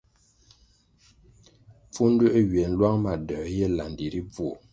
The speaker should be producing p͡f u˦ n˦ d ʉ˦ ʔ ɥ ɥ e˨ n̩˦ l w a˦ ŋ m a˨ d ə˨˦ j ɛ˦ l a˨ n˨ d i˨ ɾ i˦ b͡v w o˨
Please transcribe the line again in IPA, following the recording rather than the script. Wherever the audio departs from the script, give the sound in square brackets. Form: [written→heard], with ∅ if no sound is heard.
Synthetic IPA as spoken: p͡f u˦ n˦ d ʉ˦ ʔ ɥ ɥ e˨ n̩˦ l w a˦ ŋ m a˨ d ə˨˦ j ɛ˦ l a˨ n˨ d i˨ ɾ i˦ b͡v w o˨